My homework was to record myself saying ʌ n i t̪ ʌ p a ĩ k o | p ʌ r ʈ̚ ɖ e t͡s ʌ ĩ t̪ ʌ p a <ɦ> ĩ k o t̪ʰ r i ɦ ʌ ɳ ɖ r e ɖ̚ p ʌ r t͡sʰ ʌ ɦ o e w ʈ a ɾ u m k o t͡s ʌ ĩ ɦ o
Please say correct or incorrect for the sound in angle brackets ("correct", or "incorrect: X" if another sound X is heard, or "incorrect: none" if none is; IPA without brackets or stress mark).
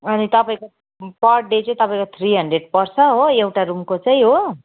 incorrect: none